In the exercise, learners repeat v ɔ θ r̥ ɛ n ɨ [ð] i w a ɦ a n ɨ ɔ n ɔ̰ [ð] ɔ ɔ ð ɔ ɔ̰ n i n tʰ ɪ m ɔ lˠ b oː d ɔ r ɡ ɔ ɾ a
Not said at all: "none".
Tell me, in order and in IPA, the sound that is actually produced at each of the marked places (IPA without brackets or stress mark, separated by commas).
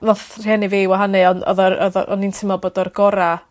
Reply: v, ð